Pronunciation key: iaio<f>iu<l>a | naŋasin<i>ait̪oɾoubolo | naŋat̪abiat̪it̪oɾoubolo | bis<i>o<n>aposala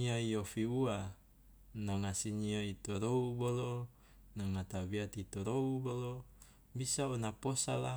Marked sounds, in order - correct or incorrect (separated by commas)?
correct, incorrect, correct, incorrect, correct